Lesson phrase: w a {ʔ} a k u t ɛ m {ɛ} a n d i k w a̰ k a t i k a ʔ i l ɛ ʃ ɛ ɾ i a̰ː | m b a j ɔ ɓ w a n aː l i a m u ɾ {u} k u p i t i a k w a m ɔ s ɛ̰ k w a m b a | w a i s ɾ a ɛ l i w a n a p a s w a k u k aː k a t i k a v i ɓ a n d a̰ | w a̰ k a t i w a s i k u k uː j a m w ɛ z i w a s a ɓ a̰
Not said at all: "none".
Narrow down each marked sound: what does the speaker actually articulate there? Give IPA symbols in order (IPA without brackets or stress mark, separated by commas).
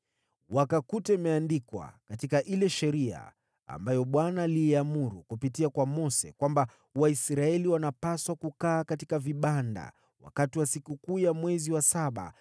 k, ɛ, u